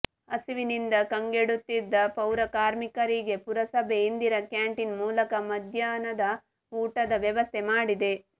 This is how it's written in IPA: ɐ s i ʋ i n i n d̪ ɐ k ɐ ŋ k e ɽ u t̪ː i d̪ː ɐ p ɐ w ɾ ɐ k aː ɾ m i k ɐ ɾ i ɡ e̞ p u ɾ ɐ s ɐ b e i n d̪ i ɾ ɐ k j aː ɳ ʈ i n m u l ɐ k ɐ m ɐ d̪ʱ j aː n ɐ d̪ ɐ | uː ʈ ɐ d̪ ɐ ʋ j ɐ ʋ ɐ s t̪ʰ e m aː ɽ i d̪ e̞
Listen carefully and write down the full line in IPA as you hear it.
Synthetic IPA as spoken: ɐ s i ʋ i n i n d̪ ɐ k ɐ ŋ ɡ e ɽ u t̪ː i d̪ː ɐ p ɐ w ɾ ɐ k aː ɾ m i k ɐ ɾ i ɡ e̞ p u ɾ ɐ s ɐ b e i n d̪ i ɾ ɐ k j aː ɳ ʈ i n m uː l ɐ k ɐ m ɐ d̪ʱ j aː n ɐ d̪ ɐ | uː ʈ ɐ d̪ ɐ ʋ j ɐ ʋ ɐ s t̪ʰ e m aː ɽ i d̪ e̞